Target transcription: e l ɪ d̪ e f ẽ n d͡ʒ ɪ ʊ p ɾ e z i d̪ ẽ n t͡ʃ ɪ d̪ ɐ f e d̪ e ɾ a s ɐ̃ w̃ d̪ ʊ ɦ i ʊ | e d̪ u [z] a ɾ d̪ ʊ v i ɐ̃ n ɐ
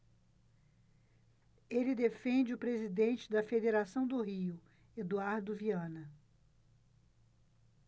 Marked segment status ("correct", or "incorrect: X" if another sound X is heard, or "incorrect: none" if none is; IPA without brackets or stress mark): incorrect: none